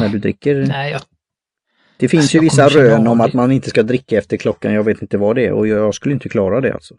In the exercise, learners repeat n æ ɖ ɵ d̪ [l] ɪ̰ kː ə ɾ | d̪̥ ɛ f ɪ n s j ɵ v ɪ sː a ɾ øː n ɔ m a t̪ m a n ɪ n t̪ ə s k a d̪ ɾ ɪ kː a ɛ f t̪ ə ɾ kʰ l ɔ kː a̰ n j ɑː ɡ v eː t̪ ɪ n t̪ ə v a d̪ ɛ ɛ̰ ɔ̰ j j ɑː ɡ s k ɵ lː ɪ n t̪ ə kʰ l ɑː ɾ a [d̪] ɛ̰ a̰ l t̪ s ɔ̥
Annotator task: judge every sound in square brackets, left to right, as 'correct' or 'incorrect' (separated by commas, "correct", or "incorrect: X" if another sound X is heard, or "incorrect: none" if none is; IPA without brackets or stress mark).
incorrect: ɾ, correct